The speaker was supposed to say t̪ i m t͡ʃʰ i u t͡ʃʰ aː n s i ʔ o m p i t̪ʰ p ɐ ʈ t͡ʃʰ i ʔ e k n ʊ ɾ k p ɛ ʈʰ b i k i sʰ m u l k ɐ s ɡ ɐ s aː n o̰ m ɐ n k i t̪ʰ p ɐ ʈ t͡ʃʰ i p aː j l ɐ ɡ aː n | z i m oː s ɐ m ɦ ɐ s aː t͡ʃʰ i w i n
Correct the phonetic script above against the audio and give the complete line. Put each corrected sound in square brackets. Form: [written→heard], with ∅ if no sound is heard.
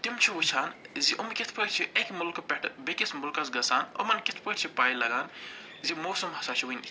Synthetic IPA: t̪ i m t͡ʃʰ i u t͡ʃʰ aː n [s→z] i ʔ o m [p→k] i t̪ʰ p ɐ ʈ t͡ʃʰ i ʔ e k [n→m] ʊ [ɾ→l] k p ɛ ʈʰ b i k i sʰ m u l k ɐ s ɡ ɐ s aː n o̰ m ɐ n k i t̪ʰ p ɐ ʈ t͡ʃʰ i p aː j l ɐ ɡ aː n | z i m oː s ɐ m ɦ ɐ s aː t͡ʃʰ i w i n

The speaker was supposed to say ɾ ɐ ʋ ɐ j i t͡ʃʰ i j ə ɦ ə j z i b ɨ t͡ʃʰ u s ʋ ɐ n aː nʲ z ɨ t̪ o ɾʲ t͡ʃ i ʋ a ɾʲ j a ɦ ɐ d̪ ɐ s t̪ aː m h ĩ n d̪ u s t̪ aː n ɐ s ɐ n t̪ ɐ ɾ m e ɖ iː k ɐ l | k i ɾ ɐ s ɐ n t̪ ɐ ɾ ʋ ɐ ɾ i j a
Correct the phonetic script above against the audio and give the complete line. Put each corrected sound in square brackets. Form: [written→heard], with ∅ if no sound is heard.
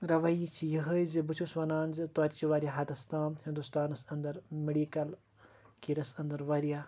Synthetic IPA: ɾ ɐ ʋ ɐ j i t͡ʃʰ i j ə ɦ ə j z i b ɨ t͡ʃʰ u s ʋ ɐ n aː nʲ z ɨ t̪ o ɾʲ t͡ʃ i ʋ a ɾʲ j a ɦ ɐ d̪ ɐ s t̪ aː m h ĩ n d̪ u s t̪ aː n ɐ s ɐ n [t̪→d̪] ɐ ɾ m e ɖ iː k ɐ l | k i ɾ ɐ s ɐ n [t̪→d̪] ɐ ɾ ʋ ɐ ɾ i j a

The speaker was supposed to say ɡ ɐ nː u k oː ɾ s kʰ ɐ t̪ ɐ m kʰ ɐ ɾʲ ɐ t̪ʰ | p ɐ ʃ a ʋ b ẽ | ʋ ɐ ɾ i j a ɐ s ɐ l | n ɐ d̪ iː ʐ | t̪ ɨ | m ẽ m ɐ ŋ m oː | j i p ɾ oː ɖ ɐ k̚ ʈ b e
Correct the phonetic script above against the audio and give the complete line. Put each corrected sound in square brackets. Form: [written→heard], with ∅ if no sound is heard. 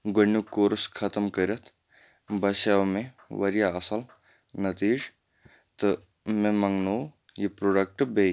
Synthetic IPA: ɡ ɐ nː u k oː ɾ s kʰ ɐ t̪ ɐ m [kʰ→k] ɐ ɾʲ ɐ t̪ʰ | [p→b] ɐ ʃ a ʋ [b→m] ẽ | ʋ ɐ ɾ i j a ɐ s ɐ l | n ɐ [d̪→t̪] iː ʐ | t̪ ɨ | m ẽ m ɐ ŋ [m→n] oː | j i p ɾ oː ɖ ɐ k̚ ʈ b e

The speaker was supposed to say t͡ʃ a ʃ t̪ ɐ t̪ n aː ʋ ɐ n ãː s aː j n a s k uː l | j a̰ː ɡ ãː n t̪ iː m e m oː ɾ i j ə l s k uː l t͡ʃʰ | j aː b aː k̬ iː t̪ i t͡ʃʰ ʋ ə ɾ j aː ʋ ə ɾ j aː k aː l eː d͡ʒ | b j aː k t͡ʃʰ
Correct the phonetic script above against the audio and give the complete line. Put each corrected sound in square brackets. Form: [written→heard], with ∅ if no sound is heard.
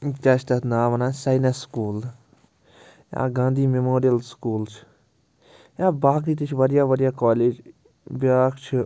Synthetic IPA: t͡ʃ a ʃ t̪ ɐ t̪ n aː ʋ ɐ n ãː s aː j n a s k uː l | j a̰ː ɡ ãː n [t̪→d̪] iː m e m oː ɾ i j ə l s k uː l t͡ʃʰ | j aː b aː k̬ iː t̪ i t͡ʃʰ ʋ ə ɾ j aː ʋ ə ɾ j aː k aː l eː d͡ʒ | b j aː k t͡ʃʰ

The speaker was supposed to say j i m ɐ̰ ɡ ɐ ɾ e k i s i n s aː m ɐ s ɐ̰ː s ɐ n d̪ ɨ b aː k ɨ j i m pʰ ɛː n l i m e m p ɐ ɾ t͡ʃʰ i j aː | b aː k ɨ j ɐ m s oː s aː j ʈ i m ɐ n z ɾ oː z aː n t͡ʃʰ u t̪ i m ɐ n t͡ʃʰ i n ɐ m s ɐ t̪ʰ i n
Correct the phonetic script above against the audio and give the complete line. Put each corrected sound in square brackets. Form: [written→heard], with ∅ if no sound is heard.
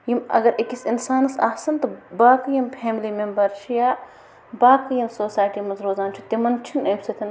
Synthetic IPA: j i m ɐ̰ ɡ ɐ ɾ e k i s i n s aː [m→n] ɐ s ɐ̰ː s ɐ n [d̪→t̪] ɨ b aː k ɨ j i m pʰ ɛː [n→m] l i m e m [p→b] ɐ ɾ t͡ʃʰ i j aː | b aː k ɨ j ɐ m s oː s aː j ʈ i m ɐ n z ɾ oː z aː n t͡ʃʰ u t̪ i m ɐ n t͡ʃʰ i n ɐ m s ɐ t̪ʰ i n

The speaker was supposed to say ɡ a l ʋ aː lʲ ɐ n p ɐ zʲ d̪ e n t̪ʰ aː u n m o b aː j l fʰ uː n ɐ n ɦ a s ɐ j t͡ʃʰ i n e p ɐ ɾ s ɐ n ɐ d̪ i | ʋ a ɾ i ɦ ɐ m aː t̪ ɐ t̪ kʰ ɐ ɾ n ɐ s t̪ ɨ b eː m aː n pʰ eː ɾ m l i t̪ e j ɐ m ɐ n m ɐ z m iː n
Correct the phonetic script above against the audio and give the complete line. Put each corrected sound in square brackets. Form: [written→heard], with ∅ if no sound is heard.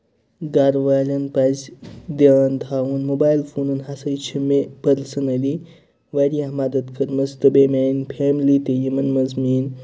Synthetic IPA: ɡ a [l→ɾ] ʋ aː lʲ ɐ n p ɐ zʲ d̪ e n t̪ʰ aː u n m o b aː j l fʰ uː n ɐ n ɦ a s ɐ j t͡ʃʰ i [n→m] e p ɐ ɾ s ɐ n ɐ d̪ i | ʋ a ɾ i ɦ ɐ m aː [t̪→d̪] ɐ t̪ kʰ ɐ ɾ [n→m] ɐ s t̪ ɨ b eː m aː n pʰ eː [ɾ→∅] m l i t̪ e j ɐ m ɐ n m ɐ z m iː n

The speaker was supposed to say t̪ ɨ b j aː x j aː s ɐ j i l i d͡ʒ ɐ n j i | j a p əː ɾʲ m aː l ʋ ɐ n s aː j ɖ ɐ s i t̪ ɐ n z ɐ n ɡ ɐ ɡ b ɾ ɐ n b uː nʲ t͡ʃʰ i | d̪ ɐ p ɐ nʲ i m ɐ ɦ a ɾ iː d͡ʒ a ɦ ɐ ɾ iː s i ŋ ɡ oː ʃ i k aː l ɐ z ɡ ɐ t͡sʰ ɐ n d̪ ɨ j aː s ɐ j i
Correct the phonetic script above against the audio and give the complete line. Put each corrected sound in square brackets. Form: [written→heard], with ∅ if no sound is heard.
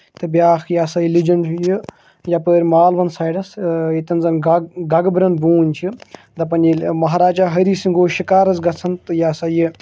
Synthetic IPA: t̪ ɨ b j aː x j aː s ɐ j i l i d͡ʒ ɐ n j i | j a p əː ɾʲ m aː l ʋ ɐ n s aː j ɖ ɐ s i t̪ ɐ n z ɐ n ɡ ɐ ɡ b ɾ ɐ n b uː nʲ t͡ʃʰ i | d̪ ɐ p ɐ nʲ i m ɐ ɦ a ɾ [iː→aː] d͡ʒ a ɦ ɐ ɾ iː s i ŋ ɡ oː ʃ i k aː [l→ɾ] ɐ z ɡ ɐ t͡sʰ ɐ n [d̪→t̪] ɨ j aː s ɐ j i

